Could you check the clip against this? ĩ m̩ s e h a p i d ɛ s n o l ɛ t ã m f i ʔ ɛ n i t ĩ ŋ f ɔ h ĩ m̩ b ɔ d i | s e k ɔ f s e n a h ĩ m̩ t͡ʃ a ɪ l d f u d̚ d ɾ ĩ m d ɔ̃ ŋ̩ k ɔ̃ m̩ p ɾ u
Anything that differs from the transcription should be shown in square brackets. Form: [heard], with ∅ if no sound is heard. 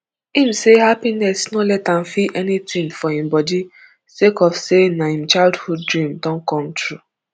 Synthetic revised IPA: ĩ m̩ s e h a p i [n] ɛ s n o l ɛ t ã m f i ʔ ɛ n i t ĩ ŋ f ɔ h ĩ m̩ b ɔ d i | s e k ɔ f s e n a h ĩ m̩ t͡ʃ a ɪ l d [h] u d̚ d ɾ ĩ m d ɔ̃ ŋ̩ k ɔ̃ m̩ [t] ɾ u

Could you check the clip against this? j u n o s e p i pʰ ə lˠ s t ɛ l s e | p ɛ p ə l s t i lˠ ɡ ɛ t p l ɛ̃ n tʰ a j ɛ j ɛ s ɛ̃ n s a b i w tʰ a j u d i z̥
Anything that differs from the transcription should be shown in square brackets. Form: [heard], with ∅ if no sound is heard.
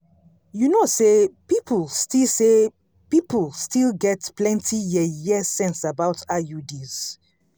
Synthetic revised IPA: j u n o s e p i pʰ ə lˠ s t [i] l s e | p [i] p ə l s t i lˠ ɡ ɛ t p l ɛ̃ n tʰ [i] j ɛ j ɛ s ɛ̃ n s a b [a] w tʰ a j u d i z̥

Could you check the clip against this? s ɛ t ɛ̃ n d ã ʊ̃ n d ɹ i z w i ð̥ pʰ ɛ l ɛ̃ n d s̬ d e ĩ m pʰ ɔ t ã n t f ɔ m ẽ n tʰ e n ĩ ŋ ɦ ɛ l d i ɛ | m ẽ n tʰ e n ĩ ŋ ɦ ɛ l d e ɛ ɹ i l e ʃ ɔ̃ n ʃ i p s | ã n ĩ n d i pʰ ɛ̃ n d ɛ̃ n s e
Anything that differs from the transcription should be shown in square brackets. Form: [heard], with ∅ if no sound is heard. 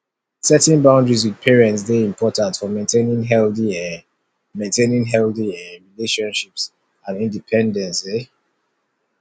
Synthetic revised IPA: s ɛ t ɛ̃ n [b] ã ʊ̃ n d ɹ i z w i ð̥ pʰ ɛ [ɹ] ɛ̃ n [t] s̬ d e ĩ m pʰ ɔ t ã n t f ɔ m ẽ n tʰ e n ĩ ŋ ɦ ɛ l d i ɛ | m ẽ n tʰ e n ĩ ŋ ɦ ɛ l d [i] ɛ ɹ i l e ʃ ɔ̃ n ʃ i p s | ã n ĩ n d i pʰ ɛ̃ n d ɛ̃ n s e

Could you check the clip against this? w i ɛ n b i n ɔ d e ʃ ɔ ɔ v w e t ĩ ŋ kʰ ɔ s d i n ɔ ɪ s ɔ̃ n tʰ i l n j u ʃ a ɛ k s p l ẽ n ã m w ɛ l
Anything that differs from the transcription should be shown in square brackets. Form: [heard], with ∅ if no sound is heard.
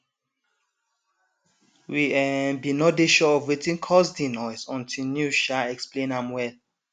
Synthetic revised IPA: w i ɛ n b i n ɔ d e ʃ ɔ ɔ v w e t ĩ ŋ kʰ ɔ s d i n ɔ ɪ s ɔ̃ n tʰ i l n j u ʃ a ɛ k s p l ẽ n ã m w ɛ l

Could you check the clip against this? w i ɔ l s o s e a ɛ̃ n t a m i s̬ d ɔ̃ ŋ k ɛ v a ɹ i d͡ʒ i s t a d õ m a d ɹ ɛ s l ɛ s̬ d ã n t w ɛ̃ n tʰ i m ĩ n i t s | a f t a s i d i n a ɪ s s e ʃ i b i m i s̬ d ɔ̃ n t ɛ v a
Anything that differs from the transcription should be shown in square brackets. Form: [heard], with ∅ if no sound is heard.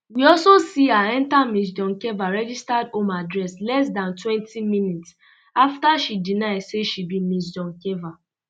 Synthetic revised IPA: w i ɔ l s o s [i] a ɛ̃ n t a m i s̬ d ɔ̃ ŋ k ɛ v a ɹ [ɛ] d͡ʒ i s t a d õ m a d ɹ ɛ s l ɛ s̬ d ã n t w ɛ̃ n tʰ i m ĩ n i t s | a f t a [ʃ] i d i n a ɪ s s e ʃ i b i m i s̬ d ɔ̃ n [k] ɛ v a

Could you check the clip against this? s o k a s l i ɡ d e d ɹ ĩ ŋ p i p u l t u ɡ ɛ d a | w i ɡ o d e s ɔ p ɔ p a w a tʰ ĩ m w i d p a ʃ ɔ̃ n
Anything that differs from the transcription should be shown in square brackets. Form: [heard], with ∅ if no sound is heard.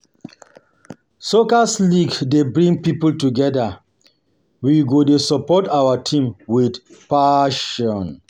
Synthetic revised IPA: s o k a s l i ɡ d e [b] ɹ ĩ ŋ p i p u l t u ɡ ɛ d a | w i ɡ o d e s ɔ p ɔ [t] a w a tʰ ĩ m w i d p a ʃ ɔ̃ n

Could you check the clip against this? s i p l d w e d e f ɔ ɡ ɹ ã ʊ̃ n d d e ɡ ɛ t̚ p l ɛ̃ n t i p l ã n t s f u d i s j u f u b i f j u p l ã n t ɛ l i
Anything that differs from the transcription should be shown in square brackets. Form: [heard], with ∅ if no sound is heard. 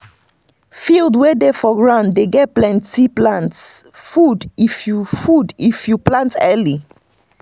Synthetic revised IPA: [f] i [∅] l d w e d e f ɔ ɡ ɹ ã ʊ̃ n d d e ɡ ɛ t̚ p l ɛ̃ n t i p l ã n t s f u d i [f] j u f u [d] i f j u p l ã n t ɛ l i

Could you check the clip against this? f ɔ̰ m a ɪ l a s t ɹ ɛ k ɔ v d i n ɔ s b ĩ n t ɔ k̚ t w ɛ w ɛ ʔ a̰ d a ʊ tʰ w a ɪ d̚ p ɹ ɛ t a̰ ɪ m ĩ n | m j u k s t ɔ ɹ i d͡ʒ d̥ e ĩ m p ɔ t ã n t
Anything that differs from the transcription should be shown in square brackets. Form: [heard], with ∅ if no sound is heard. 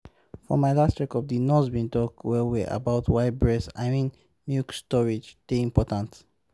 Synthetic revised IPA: f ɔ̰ m a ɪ l a s t ɹ ɛ k ɔ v d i n ɔ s b ĩ n t ɔ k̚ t w ɛ w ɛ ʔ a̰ [b] a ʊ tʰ w a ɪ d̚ [b] ɹ ɛ [s] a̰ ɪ m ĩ n | m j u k s t ɔ ɹ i d͡ʒ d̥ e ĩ m p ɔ t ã n t

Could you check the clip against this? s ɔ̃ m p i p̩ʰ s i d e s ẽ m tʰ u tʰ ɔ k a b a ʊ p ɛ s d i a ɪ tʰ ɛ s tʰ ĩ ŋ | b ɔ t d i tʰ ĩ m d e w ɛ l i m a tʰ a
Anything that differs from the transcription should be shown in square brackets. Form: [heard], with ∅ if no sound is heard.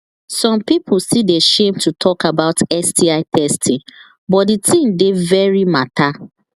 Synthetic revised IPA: s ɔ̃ m p i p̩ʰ s i d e [ʃ] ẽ m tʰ u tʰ ɔ k a b a ʊ [t] ɛ s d i a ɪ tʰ ɛ s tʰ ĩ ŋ | b ɔ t d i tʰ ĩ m d e [v] ɛ [ɹ] i m a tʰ a

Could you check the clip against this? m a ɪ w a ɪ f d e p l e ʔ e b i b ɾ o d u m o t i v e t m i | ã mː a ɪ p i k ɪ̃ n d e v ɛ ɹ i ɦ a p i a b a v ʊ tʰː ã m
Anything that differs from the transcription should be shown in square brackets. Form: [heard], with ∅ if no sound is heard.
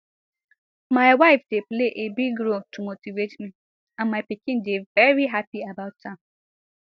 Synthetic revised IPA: m a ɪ w a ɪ f d e p l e ʔ e b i [ɡ] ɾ o [t] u m o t i v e t m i | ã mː a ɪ p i k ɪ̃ n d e v ɛ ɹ i ɦ a p i a b a [∅] ʊ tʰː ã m

